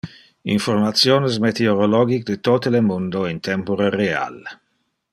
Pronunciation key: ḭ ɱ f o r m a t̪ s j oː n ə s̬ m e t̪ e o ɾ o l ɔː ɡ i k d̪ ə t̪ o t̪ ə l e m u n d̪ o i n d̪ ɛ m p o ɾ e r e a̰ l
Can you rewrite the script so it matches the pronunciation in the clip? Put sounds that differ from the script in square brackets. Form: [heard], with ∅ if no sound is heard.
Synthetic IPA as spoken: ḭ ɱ f o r m a t̪ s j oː n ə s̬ m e t̪ e o ɾ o l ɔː ɡ i k d̪ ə t̪ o t̪ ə l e m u n d̪ o i n [t̪] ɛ m p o ɾ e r e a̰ l